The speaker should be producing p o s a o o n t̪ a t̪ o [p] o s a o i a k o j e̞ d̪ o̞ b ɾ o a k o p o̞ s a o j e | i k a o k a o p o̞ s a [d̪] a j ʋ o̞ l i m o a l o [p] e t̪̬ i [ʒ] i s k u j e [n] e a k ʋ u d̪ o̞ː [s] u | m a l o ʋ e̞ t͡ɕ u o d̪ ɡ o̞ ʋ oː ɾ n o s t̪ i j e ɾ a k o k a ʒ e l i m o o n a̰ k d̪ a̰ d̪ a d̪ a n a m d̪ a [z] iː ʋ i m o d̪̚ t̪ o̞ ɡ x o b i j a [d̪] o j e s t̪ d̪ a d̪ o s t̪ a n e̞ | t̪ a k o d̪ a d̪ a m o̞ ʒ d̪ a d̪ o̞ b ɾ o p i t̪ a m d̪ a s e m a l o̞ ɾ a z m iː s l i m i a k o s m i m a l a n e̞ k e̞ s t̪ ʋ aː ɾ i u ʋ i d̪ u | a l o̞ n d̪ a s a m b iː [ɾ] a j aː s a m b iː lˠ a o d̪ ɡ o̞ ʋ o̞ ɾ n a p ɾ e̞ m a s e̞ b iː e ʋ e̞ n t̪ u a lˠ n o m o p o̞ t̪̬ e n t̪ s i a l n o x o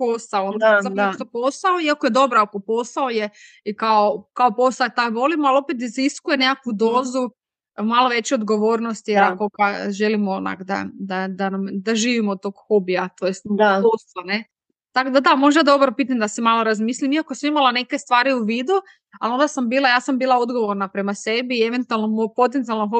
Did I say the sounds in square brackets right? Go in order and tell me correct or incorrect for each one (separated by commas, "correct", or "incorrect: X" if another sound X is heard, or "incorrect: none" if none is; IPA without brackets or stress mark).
correct, incorrect: t̪, correct, incorrect: z, correct, incorrect: z, incorrect: ʒ, incorrect: t̪, incorrect: l